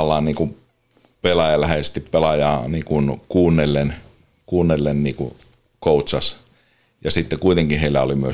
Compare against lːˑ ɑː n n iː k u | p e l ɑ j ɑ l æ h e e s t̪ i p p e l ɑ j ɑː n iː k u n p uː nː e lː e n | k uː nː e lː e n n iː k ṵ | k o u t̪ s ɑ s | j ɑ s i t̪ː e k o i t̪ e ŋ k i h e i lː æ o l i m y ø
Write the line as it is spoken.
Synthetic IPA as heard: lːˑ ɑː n n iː k u | p e l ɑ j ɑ l æ h e e s t̪ i p p e l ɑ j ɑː n iː k u n k uː nː e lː e n | k uː nː e lː e n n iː k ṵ | k o u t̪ s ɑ s | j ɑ s i t̪ː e k u i t̪ e ŋ k i h e i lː æ o l i m y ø